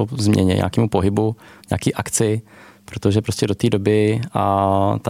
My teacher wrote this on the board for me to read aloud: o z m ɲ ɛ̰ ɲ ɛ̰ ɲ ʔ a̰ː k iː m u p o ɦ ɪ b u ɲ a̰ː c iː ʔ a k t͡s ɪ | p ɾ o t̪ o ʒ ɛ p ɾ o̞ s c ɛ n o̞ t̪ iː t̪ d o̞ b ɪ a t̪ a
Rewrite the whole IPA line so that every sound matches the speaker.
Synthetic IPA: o z m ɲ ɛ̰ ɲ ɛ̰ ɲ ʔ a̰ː k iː m u p o ɦ ɪ b u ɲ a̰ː k iː ʔ a k t͡s ɪ | p ɾ o t̪ o ʒ ɛ p ɾ o̞ s c ɛ d o̞ t̪ iː d o̞ b ɪ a t̪ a